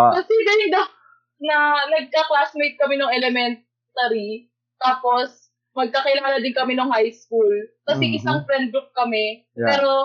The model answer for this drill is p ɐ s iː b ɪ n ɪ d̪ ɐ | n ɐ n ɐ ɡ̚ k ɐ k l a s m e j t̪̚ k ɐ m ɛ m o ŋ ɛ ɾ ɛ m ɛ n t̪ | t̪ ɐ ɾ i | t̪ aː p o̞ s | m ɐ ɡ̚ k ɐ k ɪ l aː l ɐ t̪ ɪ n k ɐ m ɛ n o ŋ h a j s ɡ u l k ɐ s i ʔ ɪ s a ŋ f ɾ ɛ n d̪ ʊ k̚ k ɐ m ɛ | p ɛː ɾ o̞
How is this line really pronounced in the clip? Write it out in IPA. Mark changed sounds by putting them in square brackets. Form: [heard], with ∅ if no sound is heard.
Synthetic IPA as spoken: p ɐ s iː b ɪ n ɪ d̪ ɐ | n ɐ n ɐ ɡ̚ k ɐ k l a s m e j t̪̚ k ɐ m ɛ [n] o ŋ ɛ [l] ɛ m ɛ n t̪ | t̪ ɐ ɾ i | t̪ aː p o̞ s | m ɐ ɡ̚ k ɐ k ɪ l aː l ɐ [d̪] ɪ n k ɐ m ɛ n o ŋ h a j s [k] u l k ɐ s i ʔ ɪ s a ŋ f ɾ ɛ n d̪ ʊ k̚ k ɐ m ɛ | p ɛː ɾ o̞